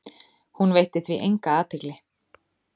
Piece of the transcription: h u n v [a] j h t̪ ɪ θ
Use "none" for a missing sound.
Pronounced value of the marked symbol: e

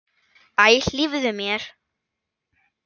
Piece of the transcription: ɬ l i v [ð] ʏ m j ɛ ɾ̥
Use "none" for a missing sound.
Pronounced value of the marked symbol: ð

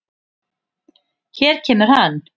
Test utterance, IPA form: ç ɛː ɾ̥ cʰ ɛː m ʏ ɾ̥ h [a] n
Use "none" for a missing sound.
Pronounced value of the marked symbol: a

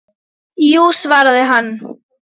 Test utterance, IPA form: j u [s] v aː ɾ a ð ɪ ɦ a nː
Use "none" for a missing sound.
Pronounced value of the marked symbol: s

